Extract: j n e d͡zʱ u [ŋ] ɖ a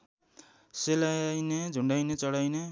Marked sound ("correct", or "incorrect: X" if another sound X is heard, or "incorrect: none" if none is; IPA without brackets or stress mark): incorrect: ɳ